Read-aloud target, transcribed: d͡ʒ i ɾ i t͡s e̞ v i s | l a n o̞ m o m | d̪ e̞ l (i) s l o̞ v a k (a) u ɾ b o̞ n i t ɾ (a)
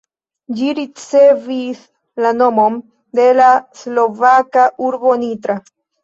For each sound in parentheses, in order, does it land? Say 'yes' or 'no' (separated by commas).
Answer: no, yes, yes